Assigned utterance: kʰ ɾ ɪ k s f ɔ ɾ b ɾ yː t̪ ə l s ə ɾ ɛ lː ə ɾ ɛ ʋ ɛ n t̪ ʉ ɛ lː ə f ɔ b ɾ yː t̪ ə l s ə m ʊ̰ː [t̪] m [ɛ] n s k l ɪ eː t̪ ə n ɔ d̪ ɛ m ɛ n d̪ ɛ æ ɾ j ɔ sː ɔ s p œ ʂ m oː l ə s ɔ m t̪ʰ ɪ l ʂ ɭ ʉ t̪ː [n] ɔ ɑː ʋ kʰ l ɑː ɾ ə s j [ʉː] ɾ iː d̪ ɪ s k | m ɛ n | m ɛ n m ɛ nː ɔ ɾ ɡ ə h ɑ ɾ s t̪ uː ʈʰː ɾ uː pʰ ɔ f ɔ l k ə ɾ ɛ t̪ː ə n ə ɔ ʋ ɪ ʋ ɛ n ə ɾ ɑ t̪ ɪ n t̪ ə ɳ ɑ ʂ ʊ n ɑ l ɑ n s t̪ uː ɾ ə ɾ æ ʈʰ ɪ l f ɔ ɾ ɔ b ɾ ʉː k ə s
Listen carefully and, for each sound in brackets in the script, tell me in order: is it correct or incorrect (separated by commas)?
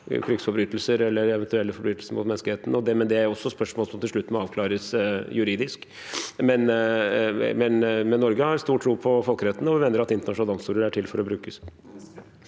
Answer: correct, correct, incorrect, incorrect